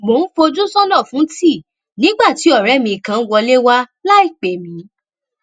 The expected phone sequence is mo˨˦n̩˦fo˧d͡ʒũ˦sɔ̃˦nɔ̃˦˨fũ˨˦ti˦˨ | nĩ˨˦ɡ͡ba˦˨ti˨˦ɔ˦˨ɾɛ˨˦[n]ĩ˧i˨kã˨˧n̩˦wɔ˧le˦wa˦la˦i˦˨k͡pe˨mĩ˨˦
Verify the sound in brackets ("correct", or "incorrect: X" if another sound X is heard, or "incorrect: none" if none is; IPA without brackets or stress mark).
incorrect: m